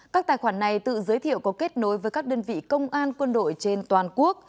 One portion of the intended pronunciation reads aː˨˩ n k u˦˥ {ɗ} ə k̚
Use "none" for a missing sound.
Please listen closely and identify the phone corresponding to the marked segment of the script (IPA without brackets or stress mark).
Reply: none